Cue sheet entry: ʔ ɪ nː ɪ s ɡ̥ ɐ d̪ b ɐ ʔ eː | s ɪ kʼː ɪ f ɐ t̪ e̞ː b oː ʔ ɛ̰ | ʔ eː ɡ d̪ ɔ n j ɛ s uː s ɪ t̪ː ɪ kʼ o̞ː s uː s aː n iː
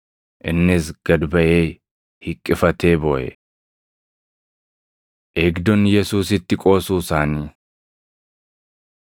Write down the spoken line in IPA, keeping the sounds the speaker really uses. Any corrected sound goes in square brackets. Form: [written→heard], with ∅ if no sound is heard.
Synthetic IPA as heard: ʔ ɪ nː ɪ s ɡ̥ ɐ d̪ b ɐ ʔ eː | [s→h] ɪ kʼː ɪ f ɐ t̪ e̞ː b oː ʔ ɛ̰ | ʔ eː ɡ d̪ ɔ n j ɛ s uː s ɪ t̪ː ɪ kʼ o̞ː s uː s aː n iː